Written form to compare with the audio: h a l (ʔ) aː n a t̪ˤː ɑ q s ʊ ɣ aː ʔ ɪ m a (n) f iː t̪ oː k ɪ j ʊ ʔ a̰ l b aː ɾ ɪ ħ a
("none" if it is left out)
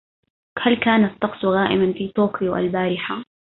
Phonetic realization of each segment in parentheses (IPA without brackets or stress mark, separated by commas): k, n